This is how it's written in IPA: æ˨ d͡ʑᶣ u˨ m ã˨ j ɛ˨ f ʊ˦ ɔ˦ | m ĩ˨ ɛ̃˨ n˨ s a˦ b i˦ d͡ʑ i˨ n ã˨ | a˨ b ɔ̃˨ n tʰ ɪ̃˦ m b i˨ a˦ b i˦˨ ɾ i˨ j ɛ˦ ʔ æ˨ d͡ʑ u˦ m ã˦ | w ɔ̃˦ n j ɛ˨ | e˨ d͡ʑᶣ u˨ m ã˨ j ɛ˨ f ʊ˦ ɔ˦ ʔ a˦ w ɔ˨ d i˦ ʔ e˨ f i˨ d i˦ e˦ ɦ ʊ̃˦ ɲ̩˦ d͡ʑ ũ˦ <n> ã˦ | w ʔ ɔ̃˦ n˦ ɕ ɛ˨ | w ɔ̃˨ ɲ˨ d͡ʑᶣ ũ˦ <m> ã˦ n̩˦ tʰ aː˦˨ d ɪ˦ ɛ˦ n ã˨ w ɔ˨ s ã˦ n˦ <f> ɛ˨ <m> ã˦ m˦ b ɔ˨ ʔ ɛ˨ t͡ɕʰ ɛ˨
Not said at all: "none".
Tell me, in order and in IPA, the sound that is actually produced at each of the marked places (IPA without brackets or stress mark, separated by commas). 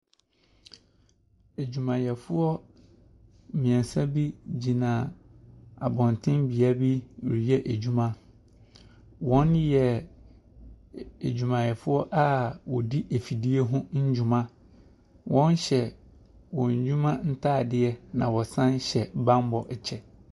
m, m, ɕ, b